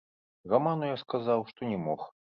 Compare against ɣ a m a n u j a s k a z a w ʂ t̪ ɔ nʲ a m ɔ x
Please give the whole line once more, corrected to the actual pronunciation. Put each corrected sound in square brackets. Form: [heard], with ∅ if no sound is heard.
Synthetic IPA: ɣ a m a n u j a s k a z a w ʂ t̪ ɔ nʲ [ɛ] m ɔ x